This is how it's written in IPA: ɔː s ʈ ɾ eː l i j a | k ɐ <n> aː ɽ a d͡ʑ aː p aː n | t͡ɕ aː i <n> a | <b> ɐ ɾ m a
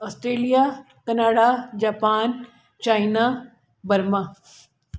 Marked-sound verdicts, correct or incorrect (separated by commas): correct, correct, correct